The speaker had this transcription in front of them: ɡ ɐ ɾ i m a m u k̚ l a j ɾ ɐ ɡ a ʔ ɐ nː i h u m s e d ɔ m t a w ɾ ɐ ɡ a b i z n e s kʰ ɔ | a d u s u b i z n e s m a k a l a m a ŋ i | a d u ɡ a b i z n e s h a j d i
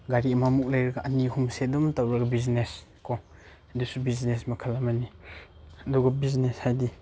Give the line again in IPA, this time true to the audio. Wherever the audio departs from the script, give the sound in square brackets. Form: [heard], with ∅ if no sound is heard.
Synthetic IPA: ɡ [a] ɾ i m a m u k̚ l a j ɾ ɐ ɡ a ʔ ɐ [n] i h u m s e d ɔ m t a w ɾ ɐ ɡ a b i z n e s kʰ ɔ | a d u s u b i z n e s m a [kʰ] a l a m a [n] i | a d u ɡ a b i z n e s h a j d i